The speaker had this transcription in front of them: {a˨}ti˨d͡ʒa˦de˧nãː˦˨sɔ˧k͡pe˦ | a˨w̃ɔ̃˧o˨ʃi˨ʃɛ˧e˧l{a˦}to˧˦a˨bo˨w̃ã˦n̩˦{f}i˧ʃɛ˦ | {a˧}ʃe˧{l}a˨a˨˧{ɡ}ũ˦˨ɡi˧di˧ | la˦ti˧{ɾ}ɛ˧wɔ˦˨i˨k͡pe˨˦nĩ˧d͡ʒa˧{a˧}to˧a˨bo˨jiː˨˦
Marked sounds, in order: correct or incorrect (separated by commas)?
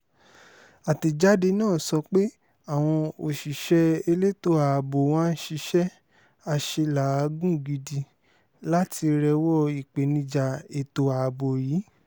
correct, incorrect, incorrect, correct, correct, correct, correct, incorrect